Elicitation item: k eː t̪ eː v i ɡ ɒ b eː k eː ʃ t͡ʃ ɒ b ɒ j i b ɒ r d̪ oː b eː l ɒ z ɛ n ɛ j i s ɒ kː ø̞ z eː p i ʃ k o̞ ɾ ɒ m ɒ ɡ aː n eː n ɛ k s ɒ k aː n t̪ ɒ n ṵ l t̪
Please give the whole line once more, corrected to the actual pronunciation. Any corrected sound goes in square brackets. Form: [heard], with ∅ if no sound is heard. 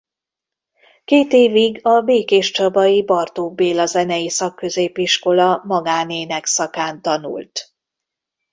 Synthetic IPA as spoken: k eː t̪ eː v i ɡ ɒ b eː k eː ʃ t͡ʃ ɒ b ɒ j i b ɒ r [t̪] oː b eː l ɒ z ɛ n ɛ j i s ɒ kː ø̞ z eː p i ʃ k o̞ [l] ɒ m ɒ ɡ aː n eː n ɛ k s ɒ k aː n t̪ ɒ n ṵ l t̪